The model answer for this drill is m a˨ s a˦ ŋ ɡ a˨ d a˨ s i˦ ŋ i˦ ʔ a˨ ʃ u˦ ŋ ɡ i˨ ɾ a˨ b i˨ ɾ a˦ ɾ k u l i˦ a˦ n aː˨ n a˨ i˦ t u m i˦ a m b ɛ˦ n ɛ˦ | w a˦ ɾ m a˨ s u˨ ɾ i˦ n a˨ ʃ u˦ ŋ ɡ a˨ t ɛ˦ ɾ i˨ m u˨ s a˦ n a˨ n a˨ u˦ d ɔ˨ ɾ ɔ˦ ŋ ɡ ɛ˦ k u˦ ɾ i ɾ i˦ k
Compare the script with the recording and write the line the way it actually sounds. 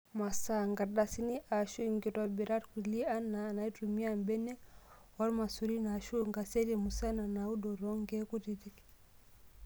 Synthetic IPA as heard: m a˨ s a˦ ŋ ɡ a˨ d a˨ s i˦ n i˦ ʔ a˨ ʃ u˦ ŋ ɡ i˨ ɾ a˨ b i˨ ɾ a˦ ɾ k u l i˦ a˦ n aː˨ n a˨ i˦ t u m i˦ a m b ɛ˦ n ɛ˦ | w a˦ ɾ m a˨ s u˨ ɾ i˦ n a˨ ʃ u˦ ŋ ɡ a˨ s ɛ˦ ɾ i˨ m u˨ s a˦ n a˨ n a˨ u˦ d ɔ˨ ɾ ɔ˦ ŋ ɡ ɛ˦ k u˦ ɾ i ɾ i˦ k